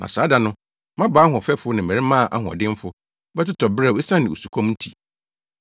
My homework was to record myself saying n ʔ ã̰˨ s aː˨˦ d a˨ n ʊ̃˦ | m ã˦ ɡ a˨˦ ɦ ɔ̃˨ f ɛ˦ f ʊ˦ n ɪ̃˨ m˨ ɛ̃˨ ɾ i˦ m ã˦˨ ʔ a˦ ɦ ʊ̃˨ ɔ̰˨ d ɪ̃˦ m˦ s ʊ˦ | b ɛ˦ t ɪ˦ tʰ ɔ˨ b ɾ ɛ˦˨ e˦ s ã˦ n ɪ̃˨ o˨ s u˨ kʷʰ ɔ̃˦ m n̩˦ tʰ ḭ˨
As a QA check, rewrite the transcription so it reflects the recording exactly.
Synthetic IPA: n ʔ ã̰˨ s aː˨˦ d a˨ n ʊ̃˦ | m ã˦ b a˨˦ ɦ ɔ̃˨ f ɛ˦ f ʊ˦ n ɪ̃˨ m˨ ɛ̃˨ ɾ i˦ m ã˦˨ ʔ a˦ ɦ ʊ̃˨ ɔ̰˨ d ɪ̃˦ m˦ f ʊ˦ | b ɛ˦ t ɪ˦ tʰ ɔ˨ b ɾ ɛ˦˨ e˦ s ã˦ n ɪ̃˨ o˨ s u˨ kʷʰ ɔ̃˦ m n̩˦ tʰ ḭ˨